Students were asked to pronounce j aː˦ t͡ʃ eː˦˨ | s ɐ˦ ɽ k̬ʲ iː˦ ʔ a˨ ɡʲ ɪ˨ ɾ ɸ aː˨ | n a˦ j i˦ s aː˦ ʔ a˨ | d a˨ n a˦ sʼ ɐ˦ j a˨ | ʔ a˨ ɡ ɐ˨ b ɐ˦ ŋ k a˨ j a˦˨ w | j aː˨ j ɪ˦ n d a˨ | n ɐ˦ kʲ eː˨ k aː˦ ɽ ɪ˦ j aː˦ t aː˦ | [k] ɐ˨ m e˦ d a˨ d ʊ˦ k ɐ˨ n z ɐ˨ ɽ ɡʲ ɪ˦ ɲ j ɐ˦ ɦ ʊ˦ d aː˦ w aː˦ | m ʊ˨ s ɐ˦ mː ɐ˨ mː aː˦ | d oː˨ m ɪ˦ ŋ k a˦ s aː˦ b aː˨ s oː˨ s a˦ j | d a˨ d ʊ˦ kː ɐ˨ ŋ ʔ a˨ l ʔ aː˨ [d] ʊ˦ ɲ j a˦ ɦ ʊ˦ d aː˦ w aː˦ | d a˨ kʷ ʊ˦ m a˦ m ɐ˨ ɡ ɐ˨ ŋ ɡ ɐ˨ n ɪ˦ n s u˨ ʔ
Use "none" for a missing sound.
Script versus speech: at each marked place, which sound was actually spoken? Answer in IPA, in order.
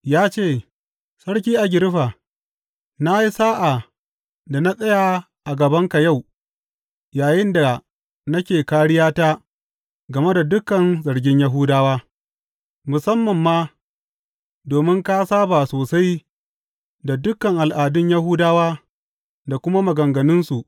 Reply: ɡ, d

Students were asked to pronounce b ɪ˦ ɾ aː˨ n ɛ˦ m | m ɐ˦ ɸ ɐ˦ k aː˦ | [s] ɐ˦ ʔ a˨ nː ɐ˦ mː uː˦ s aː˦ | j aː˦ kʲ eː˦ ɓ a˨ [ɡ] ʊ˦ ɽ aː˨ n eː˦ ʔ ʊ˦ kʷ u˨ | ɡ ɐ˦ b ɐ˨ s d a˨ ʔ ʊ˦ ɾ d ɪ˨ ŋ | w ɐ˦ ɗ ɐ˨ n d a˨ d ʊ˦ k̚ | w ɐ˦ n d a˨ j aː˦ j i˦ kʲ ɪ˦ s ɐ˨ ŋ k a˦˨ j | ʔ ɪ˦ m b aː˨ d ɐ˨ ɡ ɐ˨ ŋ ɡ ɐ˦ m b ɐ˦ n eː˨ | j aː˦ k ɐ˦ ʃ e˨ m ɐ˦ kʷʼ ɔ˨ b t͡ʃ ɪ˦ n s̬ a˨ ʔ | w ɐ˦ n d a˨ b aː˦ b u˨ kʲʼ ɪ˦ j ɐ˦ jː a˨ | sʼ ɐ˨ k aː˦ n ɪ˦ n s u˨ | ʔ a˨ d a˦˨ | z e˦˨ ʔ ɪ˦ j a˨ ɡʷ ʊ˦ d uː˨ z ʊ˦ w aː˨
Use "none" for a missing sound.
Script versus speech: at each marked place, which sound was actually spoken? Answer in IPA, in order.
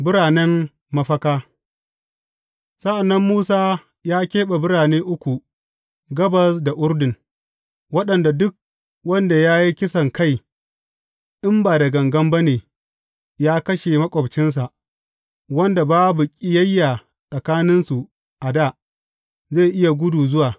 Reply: s, b

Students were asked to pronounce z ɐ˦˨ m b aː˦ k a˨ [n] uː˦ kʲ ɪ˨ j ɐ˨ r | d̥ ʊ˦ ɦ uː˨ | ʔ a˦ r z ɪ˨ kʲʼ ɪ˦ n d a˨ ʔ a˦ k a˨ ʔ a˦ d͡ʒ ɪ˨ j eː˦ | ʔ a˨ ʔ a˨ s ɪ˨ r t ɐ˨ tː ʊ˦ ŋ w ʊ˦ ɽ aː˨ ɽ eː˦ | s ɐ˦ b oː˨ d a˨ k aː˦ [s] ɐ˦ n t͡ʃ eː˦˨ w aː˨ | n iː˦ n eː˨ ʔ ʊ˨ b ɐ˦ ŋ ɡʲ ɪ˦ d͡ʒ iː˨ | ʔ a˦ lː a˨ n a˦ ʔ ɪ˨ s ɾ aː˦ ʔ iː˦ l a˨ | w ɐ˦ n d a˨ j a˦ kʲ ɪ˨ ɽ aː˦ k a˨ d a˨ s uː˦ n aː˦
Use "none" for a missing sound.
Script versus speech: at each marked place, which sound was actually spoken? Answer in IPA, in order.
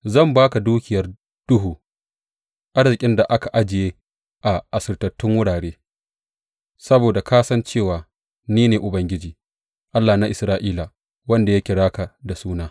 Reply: d, s

